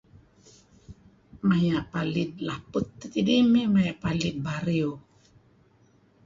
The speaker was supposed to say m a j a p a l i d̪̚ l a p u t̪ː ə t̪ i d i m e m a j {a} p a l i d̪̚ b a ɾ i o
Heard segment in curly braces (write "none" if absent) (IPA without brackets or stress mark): a